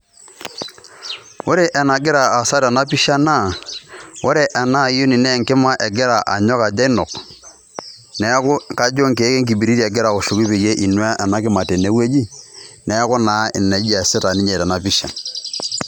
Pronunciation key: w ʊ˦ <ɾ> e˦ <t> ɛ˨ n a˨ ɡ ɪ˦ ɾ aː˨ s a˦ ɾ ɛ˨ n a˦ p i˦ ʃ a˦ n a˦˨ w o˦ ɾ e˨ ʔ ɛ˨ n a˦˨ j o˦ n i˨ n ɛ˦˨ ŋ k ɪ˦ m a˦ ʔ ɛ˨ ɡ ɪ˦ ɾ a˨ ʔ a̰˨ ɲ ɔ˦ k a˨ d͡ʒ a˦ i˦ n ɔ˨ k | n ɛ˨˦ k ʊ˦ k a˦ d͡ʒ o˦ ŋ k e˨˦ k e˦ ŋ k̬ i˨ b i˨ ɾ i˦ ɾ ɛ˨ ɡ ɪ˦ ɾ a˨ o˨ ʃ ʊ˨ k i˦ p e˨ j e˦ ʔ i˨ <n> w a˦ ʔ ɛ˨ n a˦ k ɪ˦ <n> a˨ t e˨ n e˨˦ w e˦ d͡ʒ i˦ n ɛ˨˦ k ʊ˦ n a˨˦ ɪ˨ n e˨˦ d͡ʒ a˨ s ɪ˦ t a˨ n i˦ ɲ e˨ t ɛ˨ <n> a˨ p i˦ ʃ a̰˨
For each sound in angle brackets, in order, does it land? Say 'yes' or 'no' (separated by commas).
yes, no, yes, no, yes